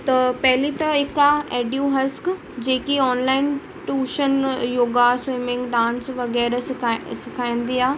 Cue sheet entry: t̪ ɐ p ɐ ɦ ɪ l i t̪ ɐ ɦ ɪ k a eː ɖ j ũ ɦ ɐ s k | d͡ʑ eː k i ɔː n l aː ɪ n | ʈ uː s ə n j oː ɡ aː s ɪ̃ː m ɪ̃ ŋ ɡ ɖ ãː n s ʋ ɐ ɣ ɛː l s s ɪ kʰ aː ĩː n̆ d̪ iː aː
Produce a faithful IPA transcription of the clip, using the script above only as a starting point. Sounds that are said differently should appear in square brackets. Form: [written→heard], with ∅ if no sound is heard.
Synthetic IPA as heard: t̪ ɐ p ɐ ɦ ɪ l i t̪ ɐ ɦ ɪ k a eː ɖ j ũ ɦ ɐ s k | d͡ʑ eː k i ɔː n l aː ɪ n | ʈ uː [s→ʃ] ə n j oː ɡ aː s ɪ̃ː m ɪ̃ ŋ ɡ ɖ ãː n s ʋ ɐ ɣ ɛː [l→ɾ] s s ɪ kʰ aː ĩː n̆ d̪ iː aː